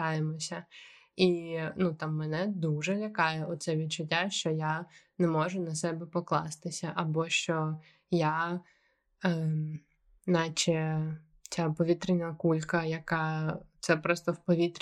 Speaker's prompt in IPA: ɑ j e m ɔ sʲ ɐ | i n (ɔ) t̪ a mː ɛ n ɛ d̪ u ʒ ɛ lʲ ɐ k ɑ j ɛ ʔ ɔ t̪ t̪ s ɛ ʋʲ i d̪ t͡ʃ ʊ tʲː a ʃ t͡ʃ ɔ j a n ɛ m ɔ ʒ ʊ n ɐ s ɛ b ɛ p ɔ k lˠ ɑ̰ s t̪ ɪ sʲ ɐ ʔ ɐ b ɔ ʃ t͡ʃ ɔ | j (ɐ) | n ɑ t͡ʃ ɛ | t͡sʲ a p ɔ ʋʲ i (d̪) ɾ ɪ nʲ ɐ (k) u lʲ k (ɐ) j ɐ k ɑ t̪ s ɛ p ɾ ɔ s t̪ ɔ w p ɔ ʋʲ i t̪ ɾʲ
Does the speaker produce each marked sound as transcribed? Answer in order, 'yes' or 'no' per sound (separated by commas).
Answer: no, no, no, yes, yes